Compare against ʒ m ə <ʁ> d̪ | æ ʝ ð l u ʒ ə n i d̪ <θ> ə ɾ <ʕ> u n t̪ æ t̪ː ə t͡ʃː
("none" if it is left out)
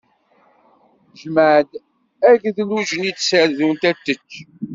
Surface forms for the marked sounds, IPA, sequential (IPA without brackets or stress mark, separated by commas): ʕ, s, ð